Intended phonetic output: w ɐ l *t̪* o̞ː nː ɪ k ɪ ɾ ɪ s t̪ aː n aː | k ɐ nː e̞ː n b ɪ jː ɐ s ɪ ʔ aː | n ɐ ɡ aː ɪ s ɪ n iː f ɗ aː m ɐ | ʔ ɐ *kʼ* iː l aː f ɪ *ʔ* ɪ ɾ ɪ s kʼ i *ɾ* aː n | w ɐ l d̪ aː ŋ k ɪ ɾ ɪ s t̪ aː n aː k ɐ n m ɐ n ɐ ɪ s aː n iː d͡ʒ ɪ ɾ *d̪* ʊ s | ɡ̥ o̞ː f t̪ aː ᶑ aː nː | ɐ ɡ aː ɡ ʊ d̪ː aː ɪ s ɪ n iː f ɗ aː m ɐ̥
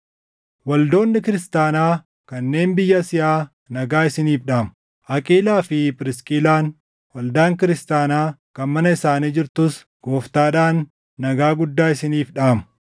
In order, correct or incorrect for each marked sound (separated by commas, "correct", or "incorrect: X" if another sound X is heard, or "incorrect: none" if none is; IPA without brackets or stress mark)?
incorrect: d̪, correct, incorrect: p, incorrect: l, incorrect: t̪